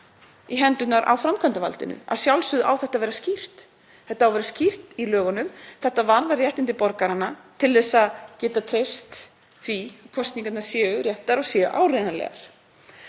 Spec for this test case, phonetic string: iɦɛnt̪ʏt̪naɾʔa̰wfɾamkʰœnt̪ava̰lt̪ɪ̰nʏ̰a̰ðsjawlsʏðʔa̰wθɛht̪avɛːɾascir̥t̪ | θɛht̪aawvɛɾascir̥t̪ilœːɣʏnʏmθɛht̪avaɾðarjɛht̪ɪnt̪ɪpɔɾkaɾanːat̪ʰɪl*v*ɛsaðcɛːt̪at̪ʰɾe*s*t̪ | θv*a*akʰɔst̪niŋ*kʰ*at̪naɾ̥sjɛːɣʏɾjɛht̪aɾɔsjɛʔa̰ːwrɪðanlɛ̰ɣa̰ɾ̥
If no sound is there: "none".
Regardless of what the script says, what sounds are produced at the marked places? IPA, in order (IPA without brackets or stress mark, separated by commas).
ð, s, i, k